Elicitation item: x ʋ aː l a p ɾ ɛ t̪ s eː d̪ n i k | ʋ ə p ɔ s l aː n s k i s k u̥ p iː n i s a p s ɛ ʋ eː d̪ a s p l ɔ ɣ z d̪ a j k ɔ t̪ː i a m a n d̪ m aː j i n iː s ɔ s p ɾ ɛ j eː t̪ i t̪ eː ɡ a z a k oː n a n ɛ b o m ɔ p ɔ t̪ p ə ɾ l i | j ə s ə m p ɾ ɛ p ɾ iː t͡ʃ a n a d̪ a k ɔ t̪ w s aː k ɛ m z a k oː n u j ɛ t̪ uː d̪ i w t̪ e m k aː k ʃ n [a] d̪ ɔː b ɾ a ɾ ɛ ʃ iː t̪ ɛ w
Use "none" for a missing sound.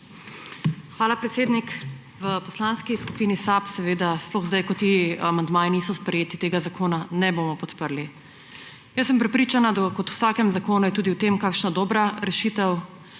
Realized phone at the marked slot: a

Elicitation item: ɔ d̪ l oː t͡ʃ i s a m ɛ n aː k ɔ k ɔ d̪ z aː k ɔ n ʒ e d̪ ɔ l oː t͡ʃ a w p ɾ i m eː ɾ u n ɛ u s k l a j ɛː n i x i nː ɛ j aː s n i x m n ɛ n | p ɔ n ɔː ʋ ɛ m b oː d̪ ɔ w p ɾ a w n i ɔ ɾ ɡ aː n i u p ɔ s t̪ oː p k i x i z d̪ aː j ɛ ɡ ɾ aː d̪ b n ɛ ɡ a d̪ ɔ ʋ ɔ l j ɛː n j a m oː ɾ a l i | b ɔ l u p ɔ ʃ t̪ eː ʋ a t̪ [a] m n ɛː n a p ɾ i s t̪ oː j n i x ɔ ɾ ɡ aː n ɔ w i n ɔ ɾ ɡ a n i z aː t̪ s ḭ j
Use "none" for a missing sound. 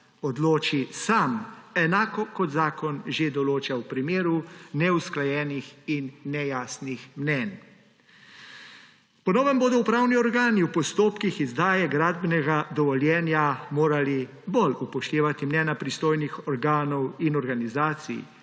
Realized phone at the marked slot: i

